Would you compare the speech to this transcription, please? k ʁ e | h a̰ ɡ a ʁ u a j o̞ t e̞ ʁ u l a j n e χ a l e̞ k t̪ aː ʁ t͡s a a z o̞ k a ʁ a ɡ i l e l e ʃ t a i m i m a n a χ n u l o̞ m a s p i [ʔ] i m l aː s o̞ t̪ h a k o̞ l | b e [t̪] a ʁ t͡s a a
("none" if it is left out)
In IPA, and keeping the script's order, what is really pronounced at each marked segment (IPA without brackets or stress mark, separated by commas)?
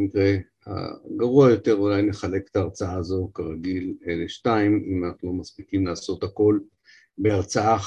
k, none